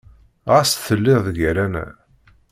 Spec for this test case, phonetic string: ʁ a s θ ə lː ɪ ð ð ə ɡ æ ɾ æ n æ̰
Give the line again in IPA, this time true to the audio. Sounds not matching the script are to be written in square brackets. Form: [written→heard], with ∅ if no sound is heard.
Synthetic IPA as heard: ʁ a s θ ə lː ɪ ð ð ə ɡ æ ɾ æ n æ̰

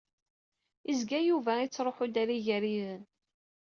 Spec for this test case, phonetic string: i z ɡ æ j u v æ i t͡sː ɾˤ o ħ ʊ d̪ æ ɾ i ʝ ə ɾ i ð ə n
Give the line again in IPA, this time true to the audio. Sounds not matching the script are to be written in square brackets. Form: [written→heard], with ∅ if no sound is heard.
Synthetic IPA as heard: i z ɡ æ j u v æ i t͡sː ɾˤ o ħ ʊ d̪ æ ɾ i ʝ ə ɾ i ð ə n

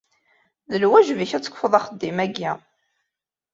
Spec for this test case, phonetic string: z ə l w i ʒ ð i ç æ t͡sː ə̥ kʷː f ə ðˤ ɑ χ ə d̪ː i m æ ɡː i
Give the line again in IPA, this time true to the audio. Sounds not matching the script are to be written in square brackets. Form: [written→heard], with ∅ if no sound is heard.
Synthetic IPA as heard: [z→ð] ə l w [i→æ] ʒ [ð→v] i ç æ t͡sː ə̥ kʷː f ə ðˤ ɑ χ ə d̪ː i m æ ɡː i

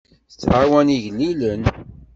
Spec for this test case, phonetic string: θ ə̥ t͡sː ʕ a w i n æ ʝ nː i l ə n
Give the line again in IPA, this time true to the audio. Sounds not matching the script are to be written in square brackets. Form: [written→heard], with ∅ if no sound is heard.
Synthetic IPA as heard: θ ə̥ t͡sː ʕ a w [i→æ] n [æ→i] ʝ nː i l ə n

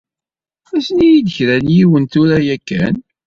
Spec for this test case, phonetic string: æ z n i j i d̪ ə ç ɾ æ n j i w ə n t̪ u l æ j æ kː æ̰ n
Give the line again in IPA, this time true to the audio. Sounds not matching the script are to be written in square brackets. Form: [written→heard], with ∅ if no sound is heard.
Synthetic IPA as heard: æ [z→s] n i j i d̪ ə ç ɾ æ n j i w ə n t̪ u [l→ɾ] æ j æ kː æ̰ n

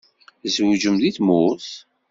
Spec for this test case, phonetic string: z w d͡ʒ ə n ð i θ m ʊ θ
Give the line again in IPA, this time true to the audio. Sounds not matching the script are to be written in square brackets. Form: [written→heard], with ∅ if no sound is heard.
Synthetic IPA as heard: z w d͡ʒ ə [n→m] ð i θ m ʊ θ

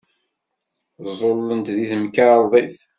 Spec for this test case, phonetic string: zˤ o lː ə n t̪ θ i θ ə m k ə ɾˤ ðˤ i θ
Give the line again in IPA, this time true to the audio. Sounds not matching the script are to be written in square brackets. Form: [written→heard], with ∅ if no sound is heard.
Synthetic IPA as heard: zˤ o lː ə n t̪ [θ→ð] i θ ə m k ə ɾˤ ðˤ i θ

